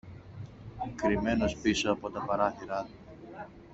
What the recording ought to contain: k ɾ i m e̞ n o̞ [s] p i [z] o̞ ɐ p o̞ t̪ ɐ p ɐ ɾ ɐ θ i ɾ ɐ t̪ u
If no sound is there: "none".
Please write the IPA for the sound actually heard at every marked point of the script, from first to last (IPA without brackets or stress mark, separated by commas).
s, s